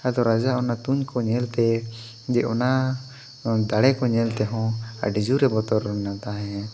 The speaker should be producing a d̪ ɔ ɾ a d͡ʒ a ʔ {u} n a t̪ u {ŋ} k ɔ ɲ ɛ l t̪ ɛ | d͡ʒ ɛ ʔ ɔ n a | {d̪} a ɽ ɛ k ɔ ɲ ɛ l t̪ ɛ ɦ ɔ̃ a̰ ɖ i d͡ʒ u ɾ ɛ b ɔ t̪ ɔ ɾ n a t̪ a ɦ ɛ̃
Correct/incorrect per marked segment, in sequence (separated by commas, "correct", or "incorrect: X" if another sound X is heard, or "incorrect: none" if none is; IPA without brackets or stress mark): incorrect: ɔ, incorrect: ɲ, correct